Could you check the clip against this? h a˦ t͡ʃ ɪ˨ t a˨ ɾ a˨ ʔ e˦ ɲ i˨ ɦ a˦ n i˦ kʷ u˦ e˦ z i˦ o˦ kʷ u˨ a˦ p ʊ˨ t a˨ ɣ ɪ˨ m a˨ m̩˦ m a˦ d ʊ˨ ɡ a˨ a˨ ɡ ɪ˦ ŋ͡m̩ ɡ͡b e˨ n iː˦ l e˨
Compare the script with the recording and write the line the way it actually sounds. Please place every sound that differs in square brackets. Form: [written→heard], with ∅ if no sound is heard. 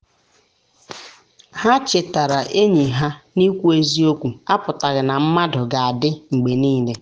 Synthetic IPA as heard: h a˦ t͡ʃ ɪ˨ t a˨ ɾ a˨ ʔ e˦ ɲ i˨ ɦ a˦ n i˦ kʷ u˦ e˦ z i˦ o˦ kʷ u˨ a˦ p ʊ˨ t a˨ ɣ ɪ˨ [m→n] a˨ m̩˦ m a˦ d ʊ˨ ɡ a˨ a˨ [ɡ→d] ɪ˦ ŋ͡m̩ ɡ͡b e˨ n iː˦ l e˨